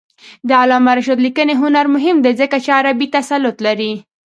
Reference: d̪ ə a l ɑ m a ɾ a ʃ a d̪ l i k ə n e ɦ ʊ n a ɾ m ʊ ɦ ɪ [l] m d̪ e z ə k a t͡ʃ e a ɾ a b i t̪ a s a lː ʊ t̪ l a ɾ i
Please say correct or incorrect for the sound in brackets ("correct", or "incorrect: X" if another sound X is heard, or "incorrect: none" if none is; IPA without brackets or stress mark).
incorrect: none